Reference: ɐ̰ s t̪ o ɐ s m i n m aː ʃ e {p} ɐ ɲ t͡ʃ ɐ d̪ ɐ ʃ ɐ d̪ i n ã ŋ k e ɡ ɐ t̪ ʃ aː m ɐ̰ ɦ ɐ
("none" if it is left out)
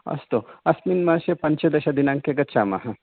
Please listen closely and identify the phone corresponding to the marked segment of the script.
p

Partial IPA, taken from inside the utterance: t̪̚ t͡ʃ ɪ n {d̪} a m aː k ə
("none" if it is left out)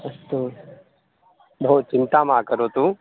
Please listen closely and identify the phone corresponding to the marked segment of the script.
t̪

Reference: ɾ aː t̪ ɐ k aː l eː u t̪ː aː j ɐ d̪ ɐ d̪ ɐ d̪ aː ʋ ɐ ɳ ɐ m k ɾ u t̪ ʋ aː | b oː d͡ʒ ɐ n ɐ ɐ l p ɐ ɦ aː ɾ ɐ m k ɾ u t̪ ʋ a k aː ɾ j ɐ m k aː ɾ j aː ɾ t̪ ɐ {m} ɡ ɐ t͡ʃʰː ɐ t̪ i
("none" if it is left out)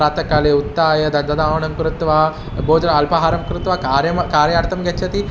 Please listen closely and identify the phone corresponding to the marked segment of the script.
m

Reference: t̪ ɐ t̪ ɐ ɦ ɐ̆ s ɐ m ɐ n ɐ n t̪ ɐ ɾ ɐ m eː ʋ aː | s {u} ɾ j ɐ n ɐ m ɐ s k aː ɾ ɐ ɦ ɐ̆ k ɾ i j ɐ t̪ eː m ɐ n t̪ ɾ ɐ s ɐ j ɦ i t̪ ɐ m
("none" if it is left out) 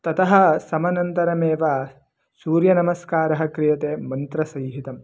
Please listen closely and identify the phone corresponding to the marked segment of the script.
uː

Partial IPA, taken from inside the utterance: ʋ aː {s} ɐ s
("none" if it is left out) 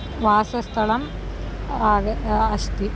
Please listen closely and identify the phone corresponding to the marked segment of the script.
s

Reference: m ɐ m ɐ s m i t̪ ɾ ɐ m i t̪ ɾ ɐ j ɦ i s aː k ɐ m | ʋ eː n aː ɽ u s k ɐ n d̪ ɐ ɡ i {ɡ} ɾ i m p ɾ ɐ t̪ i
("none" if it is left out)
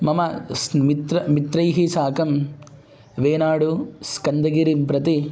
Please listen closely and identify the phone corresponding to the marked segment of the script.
none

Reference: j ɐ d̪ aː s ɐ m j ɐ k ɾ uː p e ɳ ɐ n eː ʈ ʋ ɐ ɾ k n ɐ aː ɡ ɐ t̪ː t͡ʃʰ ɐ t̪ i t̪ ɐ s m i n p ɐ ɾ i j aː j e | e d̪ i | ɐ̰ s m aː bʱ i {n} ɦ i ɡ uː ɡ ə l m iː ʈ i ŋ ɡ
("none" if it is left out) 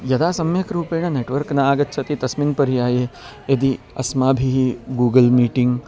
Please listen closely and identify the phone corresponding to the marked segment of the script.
none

